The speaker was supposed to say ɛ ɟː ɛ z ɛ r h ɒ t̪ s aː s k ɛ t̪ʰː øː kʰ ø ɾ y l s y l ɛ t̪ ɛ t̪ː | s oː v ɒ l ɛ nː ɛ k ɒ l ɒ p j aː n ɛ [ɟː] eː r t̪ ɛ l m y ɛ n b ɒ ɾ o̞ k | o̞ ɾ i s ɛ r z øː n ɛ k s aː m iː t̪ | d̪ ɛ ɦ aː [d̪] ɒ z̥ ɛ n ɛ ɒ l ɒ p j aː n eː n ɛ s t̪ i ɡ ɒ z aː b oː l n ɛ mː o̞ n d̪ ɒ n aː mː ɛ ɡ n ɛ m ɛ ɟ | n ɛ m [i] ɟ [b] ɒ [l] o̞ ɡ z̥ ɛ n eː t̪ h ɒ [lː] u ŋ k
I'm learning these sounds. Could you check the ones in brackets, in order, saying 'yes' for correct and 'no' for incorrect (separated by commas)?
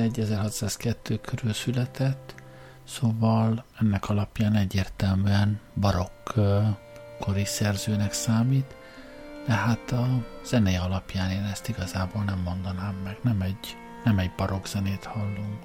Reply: yes, no, no, yes, no, yes